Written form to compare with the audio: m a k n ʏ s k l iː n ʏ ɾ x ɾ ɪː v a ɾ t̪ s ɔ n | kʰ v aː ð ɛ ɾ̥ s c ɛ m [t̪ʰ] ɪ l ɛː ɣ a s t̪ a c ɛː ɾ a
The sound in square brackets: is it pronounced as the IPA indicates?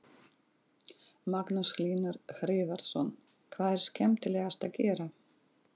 no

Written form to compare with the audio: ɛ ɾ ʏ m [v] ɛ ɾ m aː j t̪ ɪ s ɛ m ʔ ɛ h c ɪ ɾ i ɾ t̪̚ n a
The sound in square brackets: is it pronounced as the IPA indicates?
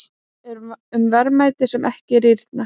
yes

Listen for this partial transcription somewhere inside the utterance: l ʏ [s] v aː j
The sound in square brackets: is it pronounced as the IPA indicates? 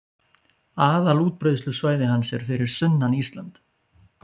yes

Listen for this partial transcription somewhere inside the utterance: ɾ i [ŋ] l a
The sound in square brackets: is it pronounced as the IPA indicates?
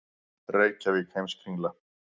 yes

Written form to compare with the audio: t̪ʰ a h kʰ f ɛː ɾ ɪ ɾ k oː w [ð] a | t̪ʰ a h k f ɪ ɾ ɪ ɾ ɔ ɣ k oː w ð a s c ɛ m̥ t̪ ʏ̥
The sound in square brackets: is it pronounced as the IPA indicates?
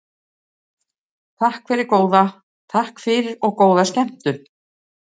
yes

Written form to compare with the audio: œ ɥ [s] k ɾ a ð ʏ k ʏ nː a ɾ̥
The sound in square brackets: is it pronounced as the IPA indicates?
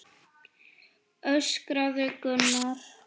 yes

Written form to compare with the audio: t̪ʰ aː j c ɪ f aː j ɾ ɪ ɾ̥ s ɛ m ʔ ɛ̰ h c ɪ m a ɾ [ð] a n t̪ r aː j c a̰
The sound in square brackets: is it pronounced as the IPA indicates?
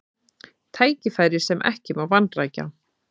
no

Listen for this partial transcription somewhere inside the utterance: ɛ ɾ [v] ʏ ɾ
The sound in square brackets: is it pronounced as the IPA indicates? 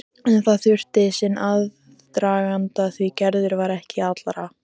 no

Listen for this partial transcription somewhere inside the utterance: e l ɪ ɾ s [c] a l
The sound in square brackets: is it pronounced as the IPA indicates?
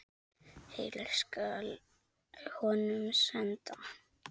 no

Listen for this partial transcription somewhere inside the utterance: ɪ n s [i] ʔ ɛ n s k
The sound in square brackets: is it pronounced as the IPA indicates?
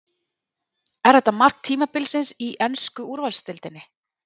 yes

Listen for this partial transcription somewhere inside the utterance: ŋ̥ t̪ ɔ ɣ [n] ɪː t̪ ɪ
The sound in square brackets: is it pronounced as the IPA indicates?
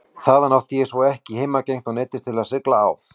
yes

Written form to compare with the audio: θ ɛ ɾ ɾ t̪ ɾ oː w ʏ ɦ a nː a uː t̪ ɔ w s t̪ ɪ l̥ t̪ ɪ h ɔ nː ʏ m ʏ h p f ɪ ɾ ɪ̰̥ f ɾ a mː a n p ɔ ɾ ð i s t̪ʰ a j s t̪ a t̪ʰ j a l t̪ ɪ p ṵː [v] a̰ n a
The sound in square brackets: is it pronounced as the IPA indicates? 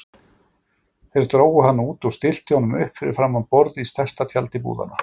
no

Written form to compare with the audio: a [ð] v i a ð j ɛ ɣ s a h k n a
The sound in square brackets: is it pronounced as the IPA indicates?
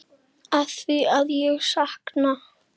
no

